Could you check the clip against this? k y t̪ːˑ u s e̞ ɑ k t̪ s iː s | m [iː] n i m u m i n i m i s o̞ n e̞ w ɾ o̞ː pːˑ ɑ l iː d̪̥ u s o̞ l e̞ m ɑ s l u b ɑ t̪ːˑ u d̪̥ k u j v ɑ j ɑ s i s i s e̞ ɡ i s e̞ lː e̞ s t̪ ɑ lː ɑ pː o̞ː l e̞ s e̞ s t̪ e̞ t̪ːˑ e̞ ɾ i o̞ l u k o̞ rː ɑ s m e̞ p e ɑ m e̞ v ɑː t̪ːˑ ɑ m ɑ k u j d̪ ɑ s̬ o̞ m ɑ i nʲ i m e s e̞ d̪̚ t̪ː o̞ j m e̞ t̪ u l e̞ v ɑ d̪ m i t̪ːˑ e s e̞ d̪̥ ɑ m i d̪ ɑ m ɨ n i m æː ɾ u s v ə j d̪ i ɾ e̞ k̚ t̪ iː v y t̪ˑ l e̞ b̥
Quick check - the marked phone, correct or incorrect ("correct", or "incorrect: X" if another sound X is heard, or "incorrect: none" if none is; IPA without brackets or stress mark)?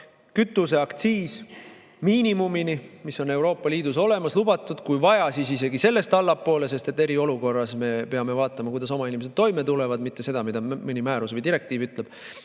correct